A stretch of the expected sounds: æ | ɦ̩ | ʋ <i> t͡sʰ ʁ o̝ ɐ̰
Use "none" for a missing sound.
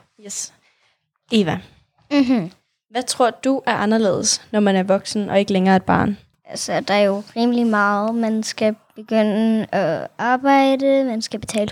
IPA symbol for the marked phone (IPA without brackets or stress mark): æ